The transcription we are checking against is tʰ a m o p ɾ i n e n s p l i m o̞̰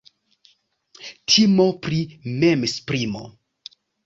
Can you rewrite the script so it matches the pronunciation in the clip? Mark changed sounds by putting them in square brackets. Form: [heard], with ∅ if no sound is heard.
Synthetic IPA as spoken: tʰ [i] m o p ɾ i [m] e [m] s p [ɾ] i m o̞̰